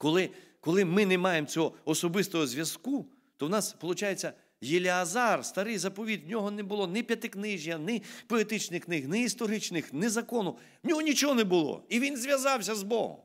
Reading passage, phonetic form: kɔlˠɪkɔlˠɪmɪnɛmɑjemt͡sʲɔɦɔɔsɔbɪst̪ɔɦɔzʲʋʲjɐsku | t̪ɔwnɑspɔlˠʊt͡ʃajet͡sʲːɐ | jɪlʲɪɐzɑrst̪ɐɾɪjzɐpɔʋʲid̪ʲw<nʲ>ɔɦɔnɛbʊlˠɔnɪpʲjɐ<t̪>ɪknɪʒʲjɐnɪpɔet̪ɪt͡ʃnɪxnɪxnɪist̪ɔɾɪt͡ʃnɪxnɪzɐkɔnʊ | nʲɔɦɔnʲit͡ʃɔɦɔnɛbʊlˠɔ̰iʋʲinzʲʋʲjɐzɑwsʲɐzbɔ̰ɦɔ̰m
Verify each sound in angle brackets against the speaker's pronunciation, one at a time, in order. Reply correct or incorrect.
correct, correct

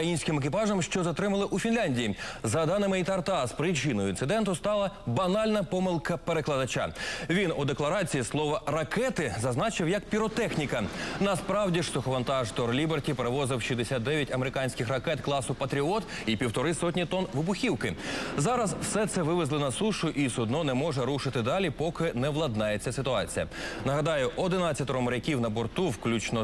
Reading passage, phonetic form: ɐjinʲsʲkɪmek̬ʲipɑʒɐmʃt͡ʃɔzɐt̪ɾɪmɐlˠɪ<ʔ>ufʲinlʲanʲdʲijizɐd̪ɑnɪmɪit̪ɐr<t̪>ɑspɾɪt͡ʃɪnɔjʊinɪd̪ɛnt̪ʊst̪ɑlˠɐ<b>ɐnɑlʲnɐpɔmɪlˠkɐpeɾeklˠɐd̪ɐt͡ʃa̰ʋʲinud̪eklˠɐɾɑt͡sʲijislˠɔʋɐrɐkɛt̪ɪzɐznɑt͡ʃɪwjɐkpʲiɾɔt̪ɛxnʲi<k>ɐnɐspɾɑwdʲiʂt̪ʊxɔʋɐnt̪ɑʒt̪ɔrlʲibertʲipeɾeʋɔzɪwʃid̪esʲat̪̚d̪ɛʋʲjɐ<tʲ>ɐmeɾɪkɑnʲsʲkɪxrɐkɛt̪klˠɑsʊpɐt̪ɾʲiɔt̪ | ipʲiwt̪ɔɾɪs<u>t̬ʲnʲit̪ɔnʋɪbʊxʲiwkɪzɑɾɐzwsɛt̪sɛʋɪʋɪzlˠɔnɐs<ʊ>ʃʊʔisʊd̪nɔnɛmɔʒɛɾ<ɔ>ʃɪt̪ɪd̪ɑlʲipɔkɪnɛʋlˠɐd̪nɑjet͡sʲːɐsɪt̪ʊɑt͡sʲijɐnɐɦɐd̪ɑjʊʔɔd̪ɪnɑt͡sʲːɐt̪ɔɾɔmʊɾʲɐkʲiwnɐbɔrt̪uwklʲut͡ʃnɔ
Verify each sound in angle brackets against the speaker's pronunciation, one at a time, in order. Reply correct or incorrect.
correct, correct, correct, correct, correct, incorrect, incorrect, incorrect

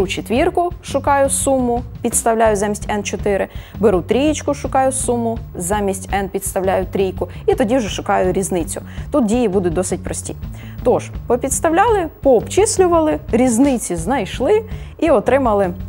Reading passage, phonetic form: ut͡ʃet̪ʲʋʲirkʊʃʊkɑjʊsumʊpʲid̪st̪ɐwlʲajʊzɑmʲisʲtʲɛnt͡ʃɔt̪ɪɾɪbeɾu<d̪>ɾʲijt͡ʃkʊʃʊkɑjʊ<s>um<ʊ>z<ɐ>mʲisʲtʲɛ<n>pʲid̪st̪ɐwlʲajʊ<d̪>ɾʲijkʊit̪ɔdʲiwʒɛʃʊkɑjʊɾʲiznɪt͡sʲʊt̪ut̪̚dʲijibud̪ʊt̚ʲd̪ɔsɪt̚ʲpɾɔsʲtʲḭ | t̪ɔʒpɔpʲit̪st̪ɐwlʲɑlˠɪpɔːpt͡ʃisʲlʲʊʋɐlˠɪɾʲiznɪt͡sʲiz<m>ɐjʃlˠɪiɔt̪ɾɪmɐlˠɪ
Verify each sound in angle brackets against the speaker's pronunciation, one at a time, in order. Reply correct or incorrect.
incorrect, correct, correct, incorrect, correct, incorrect, incorrect

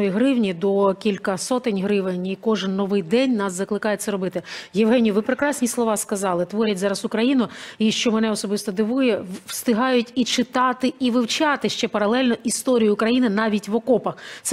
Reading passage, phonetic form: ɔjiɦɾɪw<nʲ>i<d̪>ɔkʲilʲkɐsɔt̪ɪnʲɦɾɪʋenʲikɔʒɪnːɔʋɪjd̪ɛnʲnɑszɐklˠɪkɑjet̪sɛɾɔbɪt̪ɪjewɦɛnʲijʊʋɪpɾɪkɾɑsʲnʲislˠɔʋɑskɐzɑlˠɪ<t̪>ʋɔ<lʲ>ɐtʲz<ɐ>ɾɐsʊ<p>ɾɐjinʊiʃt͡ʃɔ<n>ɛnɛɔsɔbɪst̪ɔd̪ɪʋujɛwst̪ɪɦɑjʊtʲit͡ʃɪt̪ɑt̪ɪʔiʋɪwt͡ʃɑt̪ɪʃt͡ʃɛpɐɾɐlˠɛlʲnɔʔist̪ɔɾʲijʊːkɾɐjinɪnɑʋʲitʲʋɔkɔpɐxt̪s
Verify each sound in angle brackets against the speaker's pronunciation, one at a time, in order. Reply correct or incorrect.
correct, correct, correct, incorrect, incorrect, incorrect, incorrect

